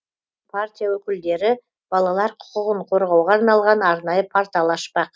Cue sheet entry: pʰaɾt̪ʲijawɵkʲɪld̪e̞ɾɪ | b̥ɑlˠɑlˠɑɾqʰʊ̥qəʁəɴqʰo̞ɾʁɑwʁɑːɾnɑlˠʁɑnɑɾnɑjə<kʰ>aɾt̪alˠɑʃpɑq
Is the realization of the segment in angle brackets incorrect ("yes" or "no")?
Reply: yes